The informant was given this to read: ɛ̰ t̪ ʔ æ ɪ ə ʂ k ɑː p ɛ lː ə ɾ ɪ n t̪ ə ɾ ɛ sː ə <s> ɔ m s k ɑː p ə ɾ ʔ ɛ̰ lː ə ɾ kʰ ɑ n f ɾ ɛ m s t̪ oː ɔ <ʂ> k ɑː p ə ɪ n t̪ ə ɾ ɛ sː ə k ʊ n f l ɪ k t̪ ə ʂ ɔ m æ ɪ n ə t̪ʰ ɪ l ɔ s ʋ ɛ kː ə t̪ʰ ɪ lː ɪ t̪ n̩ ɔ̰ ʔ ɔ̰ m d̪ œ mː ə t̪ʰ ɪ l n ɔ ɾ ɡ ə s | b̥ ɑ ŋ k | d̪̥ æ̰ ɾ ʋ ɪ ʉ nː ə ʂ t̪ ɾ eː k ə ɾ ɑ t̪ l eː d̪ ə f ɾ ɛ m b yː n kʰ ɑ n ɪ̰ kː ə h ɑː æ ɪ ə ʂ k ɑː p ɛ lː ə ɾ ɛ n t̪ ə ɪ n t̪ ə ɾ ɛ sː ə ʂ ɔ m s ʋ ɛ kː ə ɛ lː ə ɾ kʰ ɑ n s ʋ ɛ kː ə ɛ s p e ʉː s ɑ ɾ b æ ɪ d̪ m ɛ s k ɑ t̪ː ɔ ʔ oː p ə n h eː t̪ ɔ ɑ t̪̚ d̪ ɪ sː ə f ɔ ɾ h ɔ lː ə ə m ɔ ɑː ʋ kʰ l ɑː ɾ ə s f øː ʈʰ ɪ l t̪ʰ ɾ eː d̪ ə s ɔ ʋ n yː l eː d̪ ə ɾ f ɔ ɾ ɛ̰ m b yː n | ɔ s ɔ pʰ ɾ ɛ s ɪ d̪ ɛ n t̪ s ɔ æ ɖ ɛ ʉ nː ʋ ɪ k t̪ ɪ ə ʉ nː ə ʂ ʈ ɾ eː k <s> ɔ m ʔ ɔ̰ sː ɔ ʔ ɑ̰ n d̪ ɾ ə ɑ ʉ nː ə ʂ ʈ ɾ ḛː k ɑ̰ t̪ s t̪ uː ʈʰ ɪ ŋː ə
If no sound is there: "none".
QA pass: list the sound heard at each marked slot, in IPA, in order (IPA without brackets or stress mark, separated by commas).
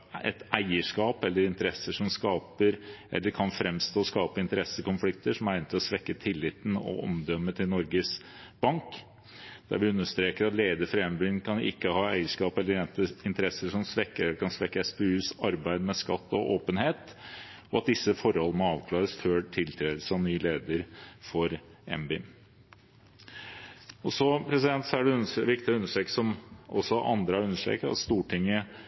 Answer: ʂ, s, s